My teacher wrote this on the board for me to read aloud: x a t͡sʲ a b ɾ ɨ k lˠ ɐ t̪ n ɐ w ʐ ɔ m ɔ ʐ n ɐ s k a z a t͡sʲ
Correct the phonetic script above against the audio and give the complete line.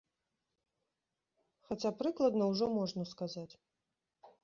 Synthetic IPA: x a t͡sʲ a p ɾ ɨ k lˠ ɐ d̪ n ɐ w ʐ ɔ m ɔ ʐ n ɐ s k a z a t͡sʲ